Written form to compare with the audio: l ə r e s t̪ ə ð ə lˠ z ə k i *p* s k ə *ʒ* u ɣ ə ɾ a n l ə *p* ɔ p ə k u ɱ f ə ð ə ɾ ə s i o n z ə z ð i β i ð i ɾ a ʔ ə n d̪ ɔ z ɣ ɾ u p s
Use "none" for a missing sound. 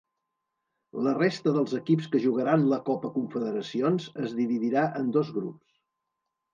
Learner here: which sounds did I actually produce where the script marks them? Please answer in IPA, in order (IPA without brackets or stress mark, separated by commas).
p, ʒ, k